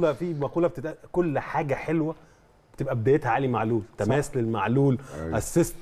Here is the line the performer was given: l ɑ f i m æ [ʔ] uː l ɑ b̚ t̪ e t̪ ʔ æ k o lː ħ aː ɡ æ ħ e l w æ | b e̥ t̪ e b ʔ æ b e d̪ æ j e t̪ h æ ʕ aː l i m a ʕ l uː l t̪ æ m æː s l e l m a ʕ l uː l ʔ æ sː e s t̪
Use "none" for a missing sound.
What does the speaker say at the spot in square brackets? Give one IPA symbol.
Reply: q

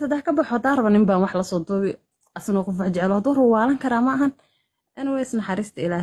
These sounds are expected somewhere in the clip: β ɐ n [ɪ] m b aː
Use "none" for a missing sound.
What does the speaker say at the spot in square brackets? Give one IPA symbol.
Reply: ɪ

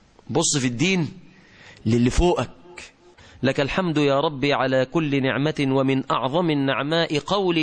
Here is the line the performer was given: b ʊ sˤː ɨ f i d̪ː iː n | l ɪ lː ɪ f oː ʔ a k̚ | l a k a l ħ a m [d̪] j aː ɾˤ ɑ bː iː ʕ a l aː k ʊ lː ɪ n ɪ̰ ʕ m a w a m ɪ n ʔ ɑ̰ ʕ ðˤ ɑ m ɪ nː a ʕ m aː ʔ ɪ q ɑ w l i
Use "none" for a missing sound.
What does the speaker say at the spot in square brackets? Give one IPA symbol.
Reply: d̪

